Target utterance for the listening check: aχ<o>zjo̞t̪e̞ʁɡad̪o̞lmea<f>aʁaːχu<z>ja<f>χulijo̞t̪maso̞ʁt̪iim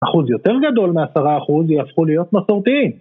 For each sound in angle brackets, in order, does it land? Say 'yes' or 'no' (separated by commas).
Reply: no, no, yes, yes